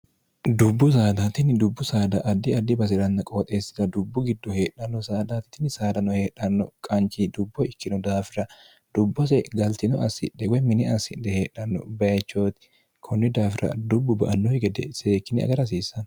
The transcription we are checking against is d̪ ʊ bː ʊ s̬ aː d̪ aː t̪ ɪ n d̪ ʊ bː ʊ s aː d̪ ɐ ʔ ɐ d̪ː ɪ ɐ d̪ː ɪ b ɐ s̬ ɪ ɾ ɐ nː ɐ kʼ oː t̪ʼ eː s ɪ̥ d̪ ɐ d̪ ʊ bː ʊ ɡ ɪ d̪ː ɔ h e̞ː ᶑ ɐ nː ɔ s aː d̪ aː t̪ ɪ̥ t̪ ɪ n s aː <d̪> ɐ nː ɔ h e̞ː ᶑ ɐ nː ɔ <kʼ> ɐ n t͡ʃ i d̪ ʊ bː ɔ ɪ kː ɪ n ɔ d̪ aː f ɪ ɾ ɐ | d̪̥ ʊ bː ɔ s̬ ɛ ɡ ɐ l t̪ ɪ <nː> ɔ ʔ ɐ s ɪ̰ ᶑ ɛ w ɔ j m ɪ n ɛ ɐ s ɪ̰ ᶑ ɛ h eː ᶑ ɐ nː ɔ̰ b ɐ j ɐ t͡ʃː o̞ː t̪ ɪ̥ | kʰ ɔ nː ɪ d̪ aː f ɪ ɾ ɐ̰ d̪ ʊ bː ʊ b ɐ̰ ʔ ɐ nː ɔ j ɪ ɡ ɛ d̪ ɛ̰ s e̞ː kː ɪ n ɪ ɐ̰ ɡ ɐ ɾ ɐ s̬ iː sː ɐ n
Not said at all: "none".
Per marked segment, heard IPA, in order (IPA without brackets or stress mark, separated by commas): d̪, kʼ, n